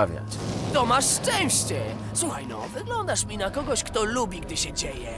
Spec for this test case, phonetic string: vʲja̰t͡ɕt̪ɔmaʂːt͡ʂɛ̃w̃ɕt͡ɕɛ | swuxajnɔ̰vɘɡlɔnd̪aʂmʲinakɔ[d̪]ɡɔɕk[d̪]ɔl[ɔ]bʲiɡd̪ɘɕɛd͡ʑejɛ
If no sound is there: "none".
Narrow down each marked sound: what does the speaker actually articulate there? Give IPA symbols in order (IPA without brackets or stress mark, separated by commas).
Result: none, t̪, u